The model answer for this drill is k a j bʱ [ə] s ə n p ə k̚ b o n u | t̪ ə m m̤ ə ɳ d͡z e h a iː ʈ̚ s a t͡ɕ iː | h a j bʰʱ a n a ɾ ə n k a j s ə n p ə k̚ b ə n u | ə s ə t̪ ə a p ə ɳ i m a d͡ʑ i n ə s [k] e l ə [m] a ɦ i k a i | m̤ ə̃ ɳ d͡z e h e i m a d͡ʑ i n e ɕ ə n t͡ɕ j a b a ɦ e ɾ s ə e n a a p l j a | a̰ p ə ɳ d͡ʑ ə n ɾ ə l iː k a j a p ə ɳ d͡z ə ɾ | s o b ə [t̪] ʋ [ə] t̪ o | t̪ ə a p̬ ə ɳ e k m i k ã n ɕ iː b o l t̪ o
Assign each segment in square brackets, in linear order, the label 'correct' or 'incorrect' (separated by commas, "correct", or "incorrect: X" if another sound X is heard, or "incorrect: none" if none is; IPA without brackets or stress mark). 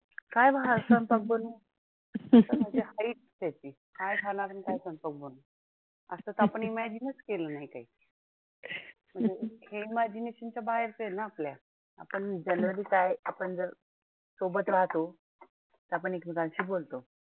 incorrect: a, correct, incorrect: n, correct, incorrect: a